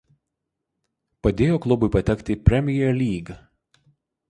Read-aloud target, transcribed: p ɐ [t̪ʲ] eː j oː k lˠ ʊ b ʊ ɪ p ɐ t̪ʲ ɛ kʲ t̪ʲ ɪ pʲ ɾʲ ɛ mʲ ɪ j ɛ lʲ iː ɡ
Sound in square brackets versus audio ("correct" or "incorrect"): incorrect